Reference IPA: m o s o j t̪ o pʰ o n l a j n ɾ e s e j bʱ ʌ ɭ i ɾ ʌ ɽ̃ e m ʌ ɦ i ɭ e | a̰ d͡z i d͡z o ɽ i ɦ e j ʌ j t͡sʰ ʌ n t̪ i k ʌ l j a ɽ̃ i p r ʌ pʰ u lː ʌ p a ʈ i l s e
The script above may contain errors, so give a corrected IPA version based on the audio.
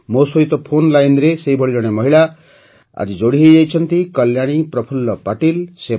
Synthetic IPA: m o s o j t̪ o pʰ o n l a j n ɾ e s e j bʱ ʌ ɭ i ɾ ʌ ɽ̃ e m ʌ ɦ i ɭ a | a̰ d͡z i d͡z o ɽ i ɦ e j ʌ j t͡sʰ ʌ n t̪ i k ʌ l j a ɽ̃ i p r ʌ pʰ u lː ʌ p a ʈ i l s e